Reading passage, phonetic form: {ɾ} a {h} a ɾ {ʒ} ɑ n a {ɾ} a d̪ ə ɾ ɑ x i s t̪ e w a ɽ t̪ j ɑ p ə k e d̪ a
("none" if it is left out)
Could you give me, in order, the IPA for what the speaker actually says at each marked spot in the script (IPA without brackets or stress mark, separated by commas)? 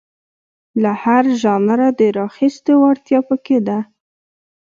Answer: l, h, ʒ, ɾ